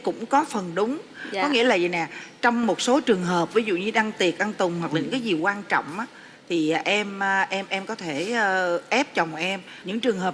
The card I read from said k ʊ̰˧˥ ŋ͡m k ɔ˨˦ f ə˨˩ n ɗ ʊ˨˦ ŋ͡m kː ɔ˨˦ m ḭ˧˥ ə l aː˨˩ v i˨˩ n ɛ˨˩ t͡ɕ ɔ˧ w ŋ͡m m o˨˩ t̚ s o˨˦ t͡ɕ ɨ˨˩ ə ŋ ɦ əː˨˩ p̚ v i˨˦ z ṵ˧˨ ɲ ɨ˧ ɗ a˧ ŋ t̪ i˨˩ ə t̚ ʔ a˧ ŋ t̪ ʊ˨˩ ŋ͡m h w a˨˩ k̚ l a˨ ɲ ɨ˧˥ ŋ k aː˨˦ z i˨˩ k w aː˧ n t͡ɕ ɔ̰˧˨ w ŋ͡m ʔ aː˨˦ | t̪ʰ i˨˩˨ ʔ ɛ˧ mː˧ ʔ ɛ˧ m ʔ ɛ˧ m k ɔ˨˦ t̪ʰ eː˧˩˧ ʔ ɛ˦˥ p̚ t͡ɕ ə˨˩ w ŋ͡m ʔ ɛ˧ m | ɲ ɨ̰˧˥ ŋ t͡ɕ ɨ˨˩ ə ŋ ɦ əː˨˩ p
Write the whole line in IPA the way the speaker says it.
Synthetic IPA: k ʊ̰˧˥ ŋ͡m k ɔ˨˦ f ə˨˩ n ɗ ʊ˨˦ ŋ͡m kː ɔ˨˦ ŋ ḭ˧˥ ə l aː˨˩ z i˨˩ n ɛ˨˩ t͡ɕ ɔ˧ w ŋ͡m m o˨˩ t̚ s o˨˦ t͡ɕ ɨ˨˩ ə ŋ ɦ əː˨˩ p̚ v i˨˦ z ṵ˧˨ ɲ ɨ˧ ɗ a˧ ŋ t̪ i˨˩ ə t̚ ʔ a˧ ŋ t̪ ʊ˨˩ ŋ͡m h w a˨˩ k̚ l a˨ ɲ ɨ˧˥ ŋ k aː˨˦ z i˨˩ k w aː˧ n t͡ɕ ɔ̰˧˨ w ŋ͡m ʔ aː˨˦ | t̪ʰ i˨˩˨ ʔ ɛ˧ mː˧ ʔ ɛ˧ m ʔ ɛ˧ m k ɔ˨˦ t̪ʰ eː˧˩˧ ʔ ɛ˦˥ p̚ t͡ɕ ə˨˩ w ŋ͡m ʔ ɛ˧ m | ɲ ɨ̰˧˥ ŋ t͡ɕ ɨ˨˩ ə ŋ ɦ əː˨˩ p